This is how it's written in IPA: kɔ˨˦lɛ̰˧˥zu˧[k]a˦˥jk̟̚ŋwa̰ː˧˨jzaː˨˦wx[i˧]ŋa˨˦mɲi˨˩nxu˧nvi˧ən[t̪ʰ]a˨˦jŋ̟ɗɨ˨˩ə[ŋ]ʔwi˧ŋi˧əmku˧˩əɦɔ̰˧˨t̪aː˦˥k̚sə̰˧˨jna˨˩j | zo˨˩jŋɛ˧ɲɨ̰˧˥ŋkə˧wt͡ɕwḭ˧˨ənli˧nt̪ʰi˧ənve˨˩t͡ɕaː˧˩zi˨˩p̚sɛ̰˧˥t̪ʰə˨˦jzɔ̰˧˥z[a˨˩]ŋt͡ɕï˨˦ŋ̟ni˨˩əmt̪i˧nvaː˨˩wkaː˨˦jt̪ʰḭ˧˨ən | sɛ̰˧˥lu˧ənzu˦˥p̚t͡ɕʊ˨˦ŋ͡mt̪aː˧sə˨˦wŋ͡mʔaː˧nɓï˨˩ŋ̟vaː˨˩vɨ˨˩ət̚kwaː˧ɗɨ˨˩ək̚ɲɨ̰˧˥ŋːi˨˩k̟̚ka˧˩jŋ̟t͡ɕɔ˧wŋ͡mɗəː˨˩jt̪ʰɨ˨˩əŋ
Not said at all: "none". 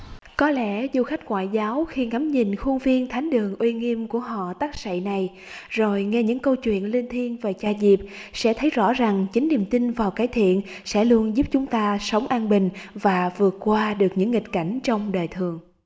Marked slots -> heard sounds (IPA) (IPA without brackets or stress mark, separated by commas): x, i˧, t̪ʰ, ŋ, a˨˩